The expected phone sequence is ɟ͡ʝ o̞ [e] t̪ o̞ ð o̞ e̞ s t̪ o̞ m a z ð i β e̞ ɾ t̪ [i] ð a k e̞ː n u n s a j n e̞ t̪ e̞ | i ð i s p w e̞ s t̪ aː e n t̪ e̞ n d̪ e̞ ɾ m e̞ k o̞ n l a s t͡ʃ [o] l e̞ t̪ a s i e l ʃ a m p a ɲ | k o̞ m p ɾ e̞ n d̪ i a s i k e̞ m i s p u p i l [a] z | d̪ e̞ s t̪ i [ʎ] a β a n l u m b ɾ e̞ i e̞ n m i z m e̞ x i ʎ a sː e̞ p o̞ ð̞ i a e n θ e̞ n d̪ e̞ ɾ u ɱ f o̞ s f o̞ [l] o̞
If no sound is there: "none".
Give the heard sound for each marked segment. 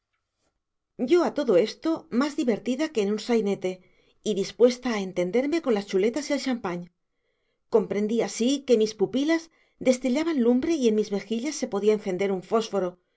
a, i, u, a, ʎ, ɾ

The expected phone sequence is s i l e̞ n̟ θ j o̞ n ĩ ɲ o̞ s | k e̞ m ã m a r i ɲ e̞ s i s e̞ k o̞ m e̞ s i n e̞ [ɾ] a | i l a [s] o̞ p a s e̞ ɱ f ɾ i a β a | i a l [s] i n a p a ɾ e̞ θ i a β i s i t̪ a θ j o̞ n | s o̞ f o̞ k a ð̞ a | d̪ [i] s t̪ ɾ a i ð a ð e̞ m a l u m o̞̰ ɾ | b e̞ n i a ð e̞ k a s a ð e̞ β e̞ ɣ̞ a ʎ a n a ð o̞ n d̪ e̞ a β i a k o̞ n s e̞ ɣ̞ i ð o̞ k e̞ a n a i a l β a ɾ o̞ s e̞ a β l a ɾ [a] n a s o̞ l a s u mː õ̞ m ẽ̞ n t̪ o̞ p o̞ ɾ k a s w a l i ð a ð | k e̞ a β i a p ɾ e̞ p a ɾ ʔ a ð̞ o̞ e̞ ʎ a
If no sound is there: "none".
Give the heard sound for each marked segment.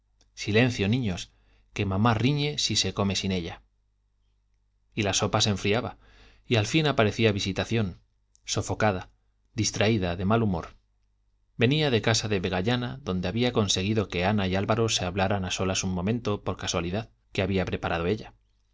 ʎ, s, f, i, a

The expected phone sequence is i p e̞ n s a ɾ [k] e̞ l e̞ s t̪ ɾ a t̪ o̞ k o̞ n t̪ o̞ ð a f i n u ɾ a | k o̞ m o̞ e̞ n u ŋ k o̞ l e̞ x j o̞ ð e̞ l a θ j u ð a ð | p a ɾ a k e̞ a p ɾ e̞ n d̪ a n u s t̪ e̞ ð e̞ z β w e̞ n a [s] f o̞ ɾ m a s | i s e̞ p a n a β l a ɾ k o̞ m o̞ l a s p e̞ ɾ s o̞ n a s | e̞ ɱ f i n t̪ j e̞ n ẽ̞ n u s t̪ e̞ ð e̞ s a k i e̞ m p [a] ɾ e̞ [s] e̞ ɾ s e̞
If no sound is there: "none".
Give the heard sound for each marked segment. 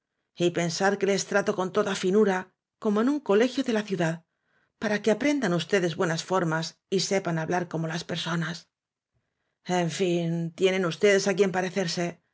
k, s, a, θ

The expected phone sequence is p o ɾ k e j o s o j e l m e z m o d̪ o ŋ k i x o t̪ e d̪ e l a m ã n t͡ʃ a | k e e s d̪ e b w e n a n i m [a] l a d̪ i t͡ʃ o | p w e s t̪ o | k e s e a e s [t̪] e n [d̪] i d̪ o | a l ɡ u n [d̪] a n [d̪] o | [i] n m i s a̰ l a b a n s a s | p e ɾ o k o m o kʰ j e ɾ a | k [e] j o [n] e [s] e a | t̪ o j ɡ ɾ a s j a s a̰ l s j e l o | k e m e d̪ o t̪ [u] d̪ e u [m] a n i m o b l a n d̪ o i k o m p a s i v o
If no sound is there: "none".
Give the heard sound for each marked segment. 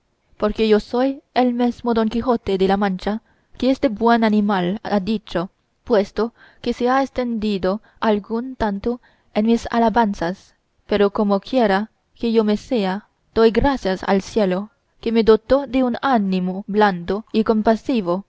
a, t̪, d̪, t̪, t̪, e, e, m, s, o, n

